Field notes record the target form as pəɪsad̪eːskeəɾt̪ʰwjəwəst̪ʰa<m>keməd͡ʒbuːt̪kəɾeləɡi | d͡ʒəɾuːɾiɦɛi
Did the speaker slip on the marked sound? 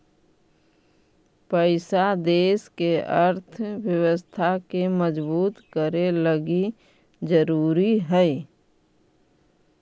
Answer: yes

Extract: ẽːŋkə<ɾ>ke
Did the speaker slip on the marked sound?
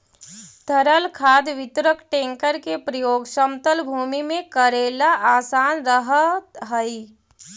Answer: no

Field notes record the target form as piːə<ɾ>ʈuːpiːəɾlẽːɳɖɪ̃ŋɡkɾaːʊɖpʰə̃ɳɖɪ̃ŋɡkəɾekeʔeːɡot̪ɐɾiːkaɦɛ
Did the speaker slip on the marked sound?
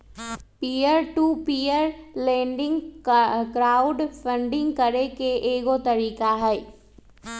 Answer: no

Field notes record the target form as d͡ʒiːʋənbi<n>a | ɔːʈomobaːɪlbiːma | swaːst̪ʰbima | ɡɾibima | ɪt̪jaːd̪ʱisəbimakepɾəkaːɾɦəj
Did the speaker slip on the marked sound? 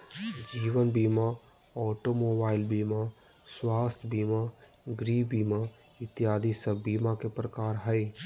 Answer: yes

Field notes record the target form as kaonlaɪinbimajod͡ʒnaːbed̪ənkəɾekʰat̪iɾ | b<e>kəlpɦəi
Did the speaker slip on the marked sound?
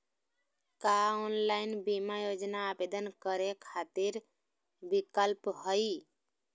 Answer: yes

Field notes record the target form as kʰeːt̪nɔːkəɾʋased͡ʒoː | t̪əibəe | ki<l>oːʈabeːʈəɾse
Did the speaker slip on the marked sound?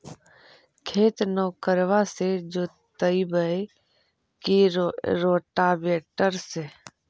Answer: yes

